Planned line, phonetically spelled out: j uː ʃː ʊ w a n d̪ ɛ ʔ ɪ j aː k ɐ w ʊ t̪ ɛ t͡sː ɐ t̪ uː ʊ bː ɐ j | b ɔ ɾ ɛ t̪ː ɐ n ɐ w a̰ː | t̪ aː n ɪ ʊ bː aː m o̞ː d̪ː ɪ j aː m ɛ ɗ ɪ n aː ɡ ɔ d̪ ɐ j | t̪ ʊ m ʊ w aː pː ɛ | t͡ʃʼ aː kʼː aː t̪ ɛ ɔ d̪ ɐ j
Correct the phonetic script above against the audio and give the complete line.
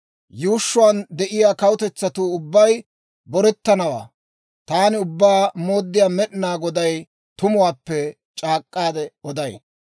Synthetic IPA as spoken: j uː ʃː ʊ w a n d̪ ɛ ʔ ɪ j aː k ɐ w ʊ t̪ ɛ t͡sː ɐ t̪ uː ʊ bː ɐ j | b ɔ ɾ ɛ t̪ː ɐ n ɐ w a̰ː | t̪ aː n ɪ ʊ bː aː m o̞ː d̪ː ɪ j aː m ɛ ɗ ɪ n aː ɡ ɔ d̪ ɐ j | t̪ ʊ m ʊ w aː pː ɛ | t͡ʃʼ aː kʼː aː d̪ ɛ ɔ d̪ ɐ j